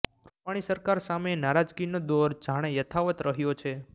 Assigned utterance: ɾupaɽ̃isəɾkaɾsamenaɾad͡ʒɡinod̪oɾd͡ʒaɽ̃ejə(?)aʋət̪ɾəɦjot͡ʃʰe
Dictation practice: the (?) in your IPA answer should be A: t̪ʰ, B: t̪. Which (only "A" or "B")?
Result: A